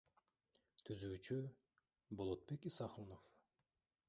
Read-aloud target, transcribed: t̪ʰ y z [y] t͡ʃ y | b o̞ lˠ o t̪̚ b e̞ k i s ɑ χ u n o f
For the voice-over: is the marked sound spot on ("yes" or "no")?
no